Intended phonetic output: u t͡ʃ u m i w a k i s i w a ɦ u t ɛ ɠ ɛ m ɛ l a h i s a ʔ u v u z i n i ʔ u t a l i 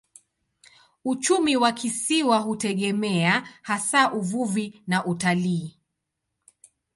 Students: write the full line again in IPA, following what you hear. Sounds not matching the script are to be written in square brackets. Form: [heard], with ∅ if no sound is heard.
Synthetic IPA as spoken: u t͡ʃ u m i w a k i s i w a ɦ u t ɛ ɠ ɛ m ɛ [∅] a h [a] s a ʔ u v u [v] i n [a] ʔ u t a l [iː]